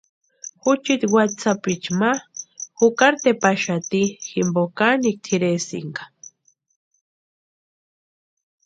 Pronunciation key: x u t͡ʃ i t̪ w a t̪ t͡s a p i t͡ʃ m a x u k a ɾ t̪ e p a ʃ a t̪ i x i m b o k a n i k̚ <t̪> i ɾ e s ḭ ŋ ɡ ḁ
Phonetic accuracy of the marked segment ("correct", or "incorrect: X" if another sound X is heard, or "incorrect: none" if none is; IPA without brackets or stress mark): incorrect: t̪ʰ